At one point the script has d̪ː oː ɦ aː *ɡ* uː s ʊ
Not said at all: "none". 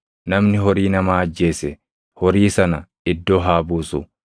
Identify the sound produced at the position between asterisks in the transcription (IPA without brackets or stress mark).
b